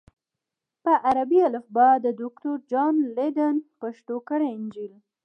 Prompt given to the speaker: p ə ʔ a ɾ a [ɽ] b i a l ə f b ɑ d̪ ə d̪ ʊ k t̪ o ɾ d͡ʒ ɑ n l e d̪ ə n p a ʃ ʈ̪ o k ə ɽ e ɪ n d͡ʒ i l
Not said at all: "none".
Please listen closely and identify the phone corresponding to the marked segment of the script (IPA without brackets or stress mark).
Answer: none